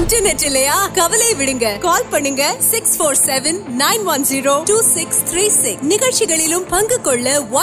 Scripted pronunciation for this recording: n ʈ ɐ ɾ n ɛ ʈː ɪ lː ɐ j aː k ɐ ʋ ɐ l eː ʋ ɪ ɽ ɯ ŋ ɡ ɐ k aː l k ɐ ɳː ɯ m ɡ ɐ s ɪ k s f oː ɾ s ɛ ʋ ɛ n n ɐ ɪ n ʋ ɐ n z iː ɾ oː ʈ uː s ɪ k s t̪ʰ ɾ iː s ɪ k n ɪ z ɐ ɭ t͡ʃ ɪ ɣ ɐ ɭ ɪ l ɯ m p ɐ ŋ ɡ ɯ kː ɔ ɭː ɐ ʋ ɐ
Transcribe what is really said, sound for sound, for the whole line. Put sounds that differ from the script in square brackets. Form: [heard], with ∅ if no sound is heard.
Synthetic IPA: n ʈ ɐ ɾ n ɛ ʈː ɪ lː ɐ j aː k ɐ ʋ ɐ l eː ʋ ɪ ɽ ɯ ŋ ɡ ɐ k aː l [p] ɐ ɳː ɯ [ŋ] ɡ ɐ s ɪ k s f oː ɾ s ɛ ʋ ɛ n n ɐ ɪ n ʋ ɐ n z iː ɾ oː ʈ uː s ɪ k s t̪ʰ ɾ iː s ɪ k n ɪ [ɣ] ɐ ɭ t͡ʃ ɪ ɣ ɐ ɭ ɪ l ɯ m p ɐ ŋ ɡ ɯ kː ɔ ɭː ɐ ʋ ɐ